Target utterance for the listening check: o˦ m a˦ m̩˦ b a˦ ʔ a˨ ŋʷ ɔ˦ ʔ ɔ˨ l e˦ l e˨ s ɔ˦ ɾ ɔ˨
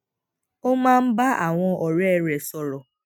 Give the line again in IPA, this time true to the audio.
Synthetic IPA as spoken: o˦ m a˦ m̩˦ b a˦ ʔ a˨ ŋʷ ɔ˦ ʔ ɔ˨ ɾ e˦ ɾ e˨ s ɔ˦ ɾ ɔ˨

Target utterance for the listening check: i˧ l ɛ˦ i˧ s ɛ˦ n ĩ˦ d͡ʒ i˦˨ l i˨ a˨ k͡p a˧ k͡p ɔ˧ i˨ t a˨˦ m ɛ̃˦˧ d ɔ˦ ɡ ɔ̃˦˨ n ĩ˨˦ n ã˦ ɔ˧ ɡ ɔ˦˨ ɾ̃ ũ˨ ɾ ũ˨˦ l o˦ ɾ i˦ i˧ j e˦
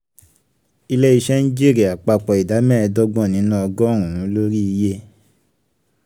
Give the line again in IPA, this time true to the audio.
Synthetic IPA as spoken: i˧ l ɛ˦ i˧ ʃ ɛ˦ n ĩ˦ d͡ʒ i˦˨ ɾ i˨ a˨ k͡p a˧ k͡p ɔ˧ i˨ d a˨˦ m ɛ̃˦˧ d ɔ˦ ɡ͡b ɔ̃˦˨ n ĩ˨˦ n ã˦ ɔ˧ ɡ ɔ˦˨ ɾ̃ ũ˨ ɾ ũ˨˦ l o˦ ɾ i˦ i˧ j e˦

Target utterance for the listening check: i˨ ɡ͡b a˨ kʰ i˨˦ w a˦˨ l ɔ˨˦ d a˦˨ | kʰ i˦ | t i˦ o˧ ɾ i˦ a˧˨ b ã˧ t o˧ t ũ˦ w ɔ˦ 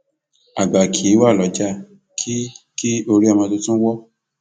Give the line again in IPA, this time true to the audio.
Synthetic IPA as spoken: a˨ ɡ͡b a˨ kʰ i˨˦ w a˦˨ l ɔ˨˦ d͡ʒ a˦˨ | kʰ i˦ | k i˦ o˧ ɾ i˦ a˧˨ m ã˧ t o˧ t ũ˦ w ɔ˦

